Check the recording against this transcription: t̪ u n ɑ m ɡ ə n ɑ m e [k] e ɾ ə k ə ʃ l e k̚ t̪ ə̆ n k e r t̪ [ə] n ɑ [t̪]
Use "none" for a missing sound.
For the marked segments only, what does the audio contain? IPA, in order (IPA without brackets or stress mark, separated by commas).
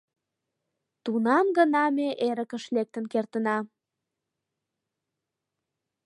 ʔ, ə, none